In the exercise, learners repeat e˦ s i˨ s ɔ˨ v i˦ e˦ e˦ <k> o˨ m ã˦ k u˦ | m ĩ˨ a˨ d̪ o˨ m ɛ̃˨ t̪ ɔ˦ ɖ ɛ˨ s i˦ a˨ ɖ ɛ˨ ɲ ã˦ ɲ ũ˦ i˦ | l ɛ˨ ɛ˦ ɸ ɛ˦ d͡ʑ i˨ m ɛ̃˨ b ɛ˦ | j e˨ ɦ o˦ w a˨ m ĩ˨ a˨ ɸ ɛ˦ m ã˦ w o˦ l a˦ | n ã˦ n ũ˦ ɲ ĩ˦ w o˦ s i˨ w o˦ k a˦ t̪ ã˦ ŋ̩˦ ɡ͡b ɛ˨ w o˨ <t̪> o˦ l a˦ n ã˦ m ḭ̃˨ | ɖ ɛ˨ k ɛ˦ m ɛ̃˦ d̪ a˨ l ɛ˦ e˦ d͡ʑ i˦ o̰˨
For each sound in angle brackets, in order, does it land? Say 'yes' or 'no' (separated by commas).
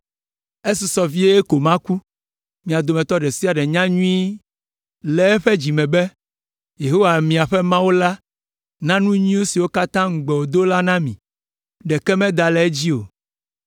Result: yes, no